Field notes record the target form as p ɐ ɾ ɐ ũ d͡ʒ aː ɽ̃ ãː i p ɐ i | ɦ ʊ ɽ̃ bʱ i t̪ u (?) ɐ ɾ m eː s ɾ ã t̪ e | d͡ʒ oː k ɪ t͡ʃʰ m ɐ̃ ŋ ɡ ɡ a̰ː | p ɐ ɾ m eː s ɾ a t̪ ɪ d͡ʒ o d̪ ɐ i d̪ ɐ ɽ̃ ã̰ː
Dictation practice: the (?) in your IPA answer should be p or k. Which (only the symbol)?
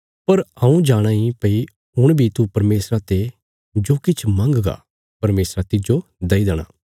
p